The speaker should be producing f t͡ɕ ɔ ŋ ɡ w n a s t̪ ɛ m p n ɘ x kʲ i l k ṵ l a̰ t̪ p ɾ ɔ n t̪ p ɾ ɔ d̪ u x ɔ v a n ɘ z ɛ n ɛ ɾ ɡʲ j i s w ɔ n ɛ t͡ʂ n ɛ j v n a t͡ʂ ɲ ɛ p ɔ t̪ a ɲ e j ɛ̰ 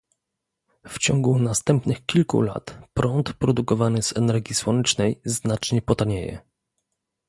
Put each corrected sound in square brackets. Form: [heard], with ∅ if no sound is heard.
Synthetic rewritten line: f t͡ɕ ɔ ŋ ɡ [u] n a s t̪ ɛ m p n ɘ x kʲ i l k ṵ l a̰ t̪ p ɾ ɔ n t̪ p ɾ ɔ d̪ u [k] ɔ v a n ɘ z ɛ n ɛ ɾ ɡʲ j i s w ɔ n ɛ t͡ʂ n ɛ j [z] n a t͡ʂ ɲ ɛ p ɔ t̪ a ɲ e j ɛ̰